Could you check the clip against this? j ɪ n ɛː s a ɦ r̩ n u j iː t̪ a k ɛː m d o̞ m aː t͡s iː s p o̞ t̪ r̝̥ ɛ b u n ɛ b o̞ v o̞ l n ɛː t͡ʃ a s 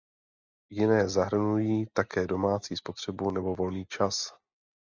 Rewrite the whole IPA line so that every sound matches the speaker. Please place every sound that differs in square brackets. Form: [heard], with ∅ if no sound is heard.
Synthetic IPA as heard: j ɪ n ɛː [z] a ɦ r̩ n u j iː t̪ a k ɛː [∅] d o̞ m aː t͡s iː s p o̞ t̪ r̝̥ ɛ b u n ɛ b o̞ v o̞ l n [iː] t͡ʃ a s